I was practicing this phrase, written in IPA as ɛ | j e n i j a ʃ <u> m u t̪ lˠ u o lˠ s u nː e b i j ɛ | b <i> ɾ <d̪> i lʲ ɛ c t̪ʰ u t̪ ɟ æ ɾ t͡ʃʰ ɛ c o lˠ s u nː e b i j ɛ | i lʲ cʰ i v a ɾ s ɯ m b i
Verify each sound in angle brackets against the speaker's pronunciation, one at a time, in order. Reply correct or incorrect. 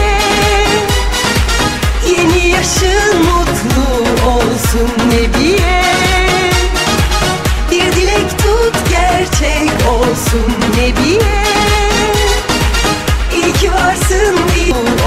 incorrect, correct, correct

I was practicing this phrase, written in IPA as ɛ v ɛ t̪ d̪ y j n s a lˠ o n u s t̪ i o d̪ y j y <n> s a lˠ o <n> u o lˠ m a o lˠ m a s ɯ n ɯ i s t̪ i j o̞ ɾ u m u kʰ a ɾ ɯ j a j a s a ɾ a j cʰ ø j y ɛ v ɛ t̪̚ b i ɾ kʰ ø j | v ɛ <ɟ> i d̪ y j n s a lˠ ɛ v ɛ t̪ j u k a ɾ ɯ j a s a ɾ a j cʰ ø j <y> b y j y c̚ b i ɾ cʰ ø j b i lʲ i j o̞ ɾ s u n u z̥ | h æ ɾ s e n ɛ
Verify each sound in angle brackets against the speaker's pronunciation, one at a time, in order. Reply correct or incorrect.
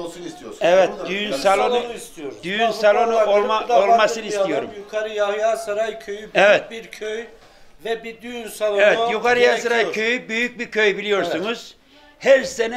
correct, correct, incorrect, correct

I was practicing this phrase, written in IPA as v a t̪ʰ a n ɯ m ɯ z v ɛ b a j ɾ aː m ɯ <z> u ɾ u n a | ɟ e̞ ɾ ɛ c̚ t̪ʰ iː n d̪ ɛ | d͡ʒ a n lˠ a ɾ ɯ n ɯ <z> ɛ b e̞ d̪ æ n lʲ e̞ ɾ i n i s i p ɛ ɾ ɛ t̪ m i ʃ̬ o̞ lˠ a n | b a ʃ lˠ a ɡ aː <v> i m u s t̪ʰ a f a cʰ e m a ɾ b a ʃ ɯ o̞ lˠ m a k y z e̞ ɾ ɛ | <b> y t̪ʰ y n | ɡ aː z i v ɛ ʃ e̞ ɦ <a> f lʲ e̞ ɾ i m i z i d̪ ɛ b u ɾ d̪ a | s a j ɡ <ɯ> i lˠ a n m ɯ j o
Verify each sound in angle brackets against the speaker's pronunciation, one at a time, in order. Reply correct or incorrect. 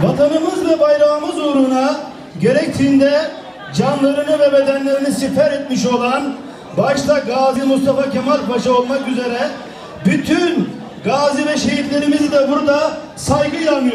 correct, incorrect, incorrect, correct, incorrect, correct

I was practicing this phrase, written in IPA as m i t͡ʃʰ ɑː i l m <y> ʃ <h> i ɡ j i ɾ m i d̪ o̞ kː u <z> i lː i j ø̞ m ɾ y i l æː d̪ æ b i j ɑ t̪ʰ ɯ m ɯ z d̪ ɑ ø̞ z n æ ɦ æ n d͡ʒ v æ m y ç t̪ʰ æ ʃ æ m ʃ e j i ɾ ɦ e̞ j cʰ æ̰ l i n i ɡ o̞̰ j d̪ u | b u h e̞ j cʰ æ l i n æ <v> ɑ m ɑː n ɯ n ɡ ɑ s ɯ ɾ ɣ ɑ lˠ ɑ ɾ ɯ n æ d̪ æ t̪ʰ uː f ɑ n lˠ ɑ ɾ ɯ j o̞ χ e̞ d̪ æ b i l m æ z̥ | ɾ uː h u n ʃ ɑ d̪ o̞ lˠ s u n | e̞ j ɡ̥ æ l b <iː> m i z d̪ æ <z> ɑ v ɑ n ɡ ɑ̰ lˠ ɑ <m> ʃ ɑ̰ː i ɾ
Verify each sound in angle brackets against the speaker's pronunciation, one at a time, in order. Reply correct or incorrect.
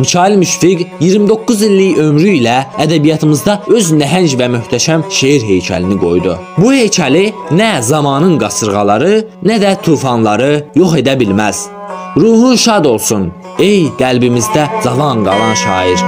correct, incorrect, correct, incorrect, incorrect, correct, incorrect

